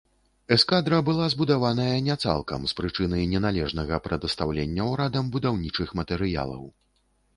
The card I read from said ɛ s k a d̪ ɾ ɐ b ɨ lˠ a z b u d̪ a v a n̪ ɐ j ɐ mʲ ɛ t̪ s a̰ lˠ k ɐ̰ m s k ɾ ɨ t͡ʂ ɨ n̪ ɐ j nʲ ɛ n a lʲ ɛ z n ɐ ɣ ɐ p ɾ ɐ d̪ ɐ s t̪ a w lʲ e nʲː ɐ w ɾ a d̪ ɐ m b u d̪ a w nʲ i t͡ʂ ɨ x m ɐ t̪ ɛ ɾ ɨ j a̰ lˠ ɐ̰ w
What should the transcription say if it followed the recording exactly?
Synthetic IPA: ɛ s k a d̪ ɾ ɐ b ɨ lˠ a z b u d̪ a v a n̪ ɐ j ɐ nʲ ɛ t̪ s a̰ lˠ k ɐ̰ m s p ɾ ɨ t͡ʂ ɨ n̪ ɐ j nʲ ɛ n a lʲ ɛ ʐ n ɐ ɣ ɐ p ɾ ɐ d̪ ɐ s t̪ a w lʲ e nʲː ɐ w ɾ a d̪ ɐ m b u d̪ a w nʲ i t͡ʂ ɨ x m ɐ t̪ ɛ ɾ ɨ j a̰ lˠ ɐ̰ w